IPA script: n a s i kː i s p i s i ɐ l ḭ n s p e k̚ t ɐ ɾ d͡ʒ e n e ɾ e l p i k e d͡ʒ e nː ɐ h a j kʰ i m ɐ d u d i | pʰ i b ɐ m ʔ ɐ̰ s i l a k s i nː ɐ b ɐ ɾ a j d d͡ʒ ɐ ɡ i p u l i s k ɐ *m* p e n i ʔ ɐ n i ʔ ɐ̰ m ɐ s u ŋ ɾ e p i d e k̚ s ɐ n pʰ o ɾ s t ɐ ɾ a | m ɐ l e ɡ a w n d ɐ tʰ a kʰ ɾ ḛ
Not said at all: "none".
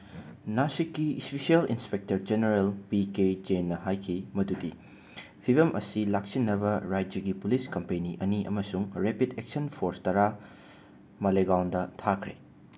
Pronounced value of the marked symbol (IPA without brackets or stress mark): m